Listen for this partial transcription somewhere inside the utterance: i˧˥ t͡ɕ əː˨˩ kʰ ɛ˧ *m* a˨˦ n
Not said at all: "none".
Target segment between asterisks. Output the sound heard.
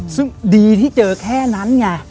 n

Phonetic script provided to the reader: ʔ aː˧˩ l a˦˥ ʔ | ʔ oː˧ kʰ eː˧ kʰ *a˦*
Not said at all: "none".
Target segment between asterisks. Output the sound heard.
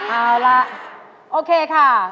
a˥˩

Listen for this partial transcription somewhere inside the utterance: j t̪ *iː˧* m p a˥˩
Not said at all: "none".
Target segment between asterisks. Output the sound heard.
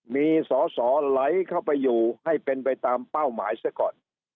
aː˧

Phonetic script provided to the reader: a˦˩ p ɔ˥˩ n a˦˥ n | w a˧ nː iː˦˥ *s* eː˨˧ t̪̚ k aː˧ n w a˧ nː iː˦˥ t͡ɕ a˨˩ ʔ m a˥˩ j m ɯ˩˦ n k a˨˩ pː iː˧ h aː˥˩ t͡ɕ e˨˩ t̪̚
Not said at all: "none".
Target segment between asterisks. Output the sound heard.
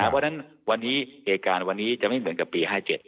h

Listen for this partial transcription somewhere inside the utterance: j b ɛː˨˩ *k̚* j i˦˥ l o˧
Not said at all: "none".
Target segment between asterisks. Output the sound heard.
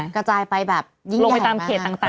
p̚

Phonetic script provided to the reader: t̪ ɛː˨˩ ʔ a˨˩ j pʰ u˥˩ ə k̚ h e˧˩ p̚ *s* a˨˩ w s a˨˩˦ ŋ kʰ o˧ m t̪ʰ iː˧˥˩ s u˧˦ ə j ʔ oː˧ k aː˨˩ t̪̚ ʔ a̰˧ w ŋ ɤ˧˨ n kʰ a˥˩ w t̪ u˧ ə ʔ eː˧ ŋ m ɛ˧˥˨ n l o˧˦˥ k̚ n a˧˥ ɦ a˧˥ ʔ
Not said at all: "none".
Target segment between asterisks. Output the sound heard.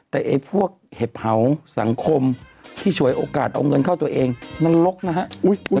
h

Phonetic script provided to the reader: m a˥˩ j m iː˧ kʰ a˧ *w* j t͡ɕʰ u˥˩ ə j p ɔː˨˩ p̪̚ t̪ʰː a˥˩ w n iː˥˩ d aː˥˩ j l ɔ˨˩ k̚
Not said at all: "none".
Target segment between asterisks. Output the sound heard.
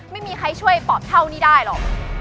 none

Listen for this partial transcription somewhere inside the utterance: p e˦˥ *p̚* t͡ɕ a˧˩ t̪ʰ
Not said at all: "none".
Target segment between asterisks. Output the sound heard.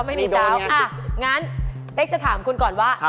k̚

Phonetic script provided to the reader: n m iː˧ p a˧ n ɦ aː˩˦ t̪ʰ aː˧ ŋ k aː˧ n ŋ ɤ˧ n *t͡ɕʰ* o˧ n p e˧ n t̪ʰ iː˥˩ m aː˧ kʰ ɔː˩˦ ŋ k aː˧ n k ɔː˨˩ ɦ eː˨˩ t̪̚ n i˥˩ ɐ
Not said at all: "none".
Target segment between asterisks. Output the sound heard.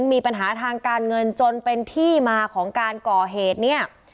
t͡ɕ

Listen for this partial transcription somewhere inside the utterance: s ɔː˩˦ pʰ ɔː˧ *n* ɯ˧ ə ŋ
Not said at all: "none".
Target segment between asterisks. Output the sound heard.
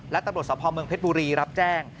m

